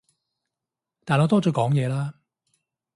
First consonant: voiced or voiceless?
voiceless